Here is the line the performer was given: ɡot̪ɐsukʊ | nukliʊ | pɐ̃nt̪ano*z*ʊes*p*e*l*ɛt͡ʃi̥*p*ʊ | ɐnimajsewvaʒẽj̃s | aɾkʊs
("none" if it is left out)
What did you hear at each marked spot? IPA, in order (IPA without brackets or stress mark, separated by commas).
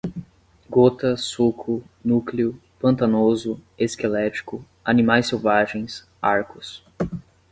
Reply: z, k, l, k